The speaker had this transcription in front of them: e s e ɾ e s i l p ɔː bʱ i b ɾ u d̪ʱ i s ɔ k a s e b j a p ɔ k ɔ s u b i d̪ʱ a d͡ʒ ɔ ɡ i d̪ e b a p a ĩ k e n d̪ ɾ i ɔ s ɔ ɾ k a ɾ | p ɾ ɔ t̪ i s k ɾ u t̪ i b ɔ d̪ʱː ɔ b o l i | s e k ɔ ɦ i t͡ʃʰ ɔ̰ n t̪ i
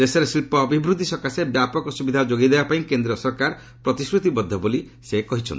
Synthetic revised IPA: e s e ɾ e s i l p ɔː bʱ i b ɾ u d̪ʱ i s ɔ k a s e b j a p ɔ k ɔ s u b i d̪ʱ a d͡ʒ o ɡ i d̪ e b a p a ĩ k e n d̪ ɾ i ɔ s ɔ ɾ k a ɾ | p ɾ ɔ t̪ i s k ɾ u t̪ i b ɔ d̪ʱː ɔ b o l i | s e k ɔ ɦ i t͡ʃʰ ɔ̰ n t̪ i